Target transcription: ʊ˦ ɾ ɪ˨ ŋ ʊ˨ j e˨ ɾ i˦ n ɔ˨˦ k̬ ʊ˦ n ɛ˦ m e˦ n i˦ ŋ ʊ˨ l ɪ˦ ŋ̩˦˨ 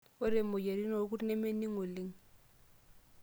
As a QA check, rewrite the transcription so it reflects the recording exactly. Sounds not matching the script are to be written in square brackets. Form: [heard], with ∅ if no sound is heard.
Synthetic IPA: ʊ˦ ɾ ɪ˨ [m] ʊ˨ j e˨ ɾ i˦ n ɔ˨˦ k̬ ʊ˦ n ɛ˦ m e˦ n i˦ ŋ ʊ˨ l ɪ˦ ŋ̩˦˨

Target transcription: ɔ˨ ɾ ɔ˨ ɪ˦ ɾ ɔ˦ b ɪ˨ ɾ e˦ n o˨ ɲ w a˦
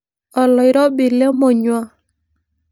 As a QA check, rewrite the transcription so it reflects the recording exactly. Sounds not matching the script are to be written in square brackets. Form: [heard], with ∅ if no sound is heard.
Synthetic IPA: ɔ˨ [l] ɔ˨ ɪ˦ ɾ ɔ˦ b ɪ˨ [l] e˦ [m] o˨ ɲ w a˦

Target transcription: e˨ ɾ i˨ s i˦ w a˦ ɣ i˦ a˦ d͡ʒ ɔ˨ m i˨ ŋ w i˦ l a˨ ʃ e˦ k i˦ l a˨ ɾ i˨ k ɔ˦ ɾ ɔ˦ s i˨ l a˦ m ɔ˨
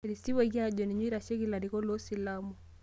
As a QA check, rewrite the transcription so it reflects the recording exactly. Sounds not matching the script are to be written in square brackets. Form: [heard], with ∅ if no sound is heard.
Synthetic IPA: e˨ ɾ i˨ s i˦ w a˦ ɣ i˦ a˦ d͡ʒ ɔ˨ [n] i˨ [ɲ] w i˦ [ɾ] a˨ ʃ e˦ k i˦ l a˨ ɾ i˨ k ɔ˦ [l] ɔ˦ s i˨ l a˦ m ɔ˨

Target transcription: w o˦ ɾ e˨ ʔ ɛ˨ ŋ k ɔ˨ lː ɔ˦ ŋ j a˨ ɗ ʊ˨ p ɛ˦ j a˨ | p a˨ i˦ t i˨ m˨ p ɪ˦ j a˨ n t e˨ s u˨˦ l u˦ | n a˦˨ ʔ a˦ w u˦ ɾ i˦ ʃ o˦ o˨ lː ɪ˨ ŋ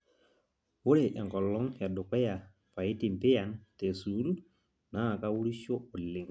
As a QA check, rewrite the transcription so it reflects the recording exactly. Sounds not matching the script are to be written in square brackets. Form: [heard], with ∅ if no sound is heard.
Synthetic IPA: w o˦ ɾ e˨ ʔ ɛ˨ ŋ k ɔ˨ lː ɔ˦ ŋ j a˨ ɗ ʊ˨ [k] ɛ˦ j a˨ | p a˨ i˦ t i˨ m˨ p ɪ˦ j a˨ n t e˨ s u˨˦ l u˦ | n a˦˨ [k] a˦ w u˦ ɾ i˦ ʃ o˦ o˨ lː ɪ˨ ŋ

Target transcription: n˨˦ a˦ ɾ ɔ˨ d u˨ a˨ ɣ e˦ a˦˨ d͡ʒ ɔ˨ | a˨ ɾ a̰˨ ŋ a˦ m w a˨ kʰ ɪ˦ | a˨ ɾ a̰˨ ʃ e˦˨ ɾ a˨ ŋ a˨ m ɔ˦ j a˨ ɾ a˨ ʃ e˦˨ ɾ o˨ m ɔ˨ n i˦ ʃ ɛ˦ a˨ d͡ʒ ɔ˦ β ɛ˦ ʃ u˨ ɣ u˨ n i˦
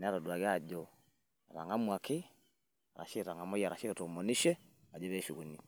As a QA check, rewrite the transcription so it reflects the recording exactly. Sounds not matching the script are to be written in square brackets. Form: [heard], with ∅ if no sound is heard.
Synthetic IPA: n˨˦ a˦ ɾ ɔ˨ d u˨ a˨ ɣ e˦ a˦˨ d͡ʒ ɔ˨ | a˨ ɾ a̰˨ ŋ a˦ m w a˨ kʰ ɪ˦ | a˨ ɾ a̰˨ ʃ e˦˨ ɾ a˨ ŋ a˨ m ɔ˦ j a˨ ɾ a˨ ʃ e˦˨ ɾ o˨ m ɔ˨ n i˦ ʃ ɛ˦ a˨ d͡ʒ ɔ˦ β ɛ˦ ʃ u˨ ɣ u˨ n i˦

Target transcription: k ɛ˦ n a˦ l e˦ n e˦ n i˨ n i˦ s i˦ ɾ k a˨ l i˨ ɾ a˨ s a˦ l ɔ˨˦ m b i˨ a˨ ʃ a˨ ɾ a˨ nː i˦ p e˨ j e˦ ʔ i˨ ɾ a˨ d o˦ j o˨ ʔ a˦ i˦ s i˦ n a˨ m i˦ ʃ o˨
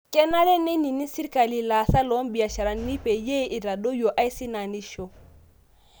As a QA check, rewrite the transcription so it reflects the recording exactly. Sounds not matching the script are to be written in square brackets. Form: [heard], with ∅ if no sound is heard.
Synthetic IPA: k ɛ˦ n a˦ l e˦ n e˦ n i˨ n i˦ s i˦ ɾ k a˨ l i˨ [l] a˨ s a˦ l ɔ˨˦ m b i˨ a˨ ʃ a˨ ɾ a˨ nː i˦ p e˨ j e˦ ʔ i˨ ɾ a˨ d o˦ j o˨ ʔ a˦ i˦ s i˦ n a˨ [n] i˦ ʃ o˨

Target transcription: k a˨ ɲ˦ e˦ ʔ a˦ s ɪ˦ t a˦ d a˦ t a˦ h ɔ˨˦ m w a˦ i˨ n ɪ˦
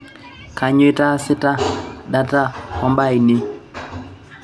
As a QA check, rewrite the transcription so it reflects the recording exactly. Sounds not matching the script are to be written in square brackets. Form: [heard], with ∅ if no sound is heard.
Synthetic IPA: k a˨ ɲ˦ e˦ [t] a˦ s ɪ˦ t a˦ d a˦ t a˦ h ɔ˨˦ m [b] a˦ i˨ n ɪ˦

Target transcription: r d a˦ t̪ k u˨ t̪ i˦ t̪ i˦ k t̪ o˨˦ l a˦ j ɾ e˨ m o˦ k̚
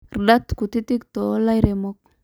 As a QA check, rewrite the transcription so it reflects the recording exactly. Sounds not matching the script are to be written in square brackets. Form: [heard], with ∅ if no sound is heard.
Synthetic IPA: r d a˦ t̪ k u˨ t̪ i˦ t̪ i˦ k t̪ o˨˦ l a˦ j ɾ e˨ m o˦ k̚

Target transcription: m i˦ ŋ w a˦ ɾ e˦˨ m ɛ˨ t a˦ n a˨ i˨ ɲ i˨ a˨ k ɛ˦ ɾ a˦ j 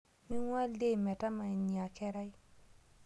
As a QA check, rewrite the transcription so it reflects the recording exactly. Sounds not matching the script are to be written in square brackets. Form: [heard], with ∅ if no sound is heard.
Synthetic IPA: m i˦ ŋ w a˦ [l] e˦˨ m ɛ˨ t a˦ [m] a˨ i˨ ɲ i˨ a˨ k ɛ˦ ɾ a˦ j

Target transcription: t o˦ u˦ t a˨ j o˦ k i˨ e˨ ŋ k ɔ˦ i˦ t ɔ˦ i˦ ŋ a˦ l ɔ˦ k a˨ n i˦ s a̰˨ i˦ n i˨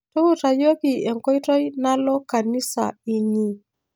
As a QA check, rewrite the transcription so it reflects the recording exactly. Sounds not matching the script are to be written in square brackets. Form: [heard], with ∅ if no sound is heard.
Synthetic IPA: t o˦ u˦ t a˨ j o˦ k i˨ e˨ ŋ k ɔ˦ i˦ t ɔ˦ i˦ [n] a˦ l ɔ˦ k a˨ n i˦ s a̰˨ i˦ [ɲ] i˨

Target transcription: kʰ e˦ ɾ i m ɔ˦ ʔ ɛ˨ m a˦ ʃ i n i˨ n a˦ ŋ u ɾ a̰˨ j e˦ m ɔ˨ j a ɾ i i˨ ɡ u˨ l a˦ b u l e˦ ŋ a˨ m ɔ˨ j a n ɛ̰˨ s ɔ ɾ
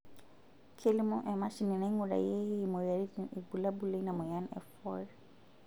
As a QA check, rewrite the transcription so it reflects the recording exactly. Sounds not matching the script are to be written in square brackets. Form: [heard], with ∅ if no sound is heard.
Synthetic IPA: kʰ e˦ [l] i m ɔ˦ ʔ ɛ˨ m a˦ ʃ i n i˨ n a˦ ŋ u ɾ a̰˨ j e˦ m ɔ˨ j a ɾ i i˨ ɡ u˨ l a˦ b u l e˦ [n] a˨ m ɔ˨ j a n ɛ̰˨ [f] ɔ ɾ

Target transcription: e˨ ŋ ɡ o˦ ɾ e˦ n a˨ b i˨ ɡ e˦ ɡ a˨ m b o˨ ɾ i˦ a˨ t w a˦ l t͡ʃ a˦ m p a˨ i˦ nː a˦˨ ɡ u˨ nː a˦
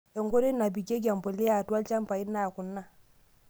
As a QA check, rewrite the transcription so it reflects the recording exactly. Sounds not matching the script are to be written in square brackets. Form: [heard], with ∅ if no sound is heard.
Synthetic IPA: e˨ ŋ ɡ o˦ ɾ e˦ n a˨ b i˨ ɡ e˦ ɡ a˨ m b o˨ [l] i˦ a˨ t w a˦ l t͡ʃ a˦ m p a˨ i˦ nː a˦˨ [k] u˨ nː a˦

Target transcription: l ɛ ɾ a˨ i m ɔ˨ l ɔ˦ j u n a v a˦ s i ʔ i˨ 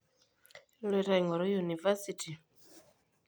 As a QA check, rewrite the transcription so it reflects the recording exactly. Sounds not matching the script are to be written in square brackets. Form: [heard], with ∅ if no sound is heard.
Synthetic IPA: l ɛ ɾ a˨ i [ŋ] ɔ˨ [ɾ] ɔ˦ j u n [i] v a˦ s i [t] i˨

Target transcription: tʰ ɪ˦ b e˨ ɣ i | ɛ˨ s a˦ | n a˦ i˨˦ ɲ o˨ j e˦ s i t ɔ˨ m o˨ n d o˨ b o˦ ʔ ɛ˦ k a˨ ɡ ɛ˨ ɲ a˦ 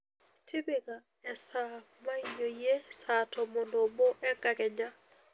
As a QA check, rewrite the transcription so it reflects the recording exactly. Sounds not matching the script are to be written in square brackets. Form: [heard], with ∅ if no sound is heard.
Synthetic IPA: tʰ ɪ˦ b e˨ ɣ [a] | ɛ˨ s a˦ | [m] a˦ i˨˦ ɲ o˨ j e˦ s [a] t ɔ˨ m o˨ n d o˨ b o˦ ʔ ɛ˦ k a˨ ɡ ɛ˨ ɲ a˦

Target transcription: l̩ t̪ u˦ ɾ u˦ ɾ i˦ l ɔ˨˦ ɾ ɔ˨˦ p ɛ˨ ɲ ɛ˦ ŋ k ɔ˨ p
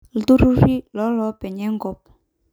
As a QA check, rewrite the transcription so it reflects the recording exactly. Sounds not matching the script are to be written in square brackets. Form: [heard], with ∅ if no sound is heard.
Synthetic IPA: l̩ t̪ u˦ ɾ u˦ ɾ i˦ l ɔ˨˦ [l] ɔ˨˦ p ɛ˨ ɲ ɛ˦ ŋ [ɡ] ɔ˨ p

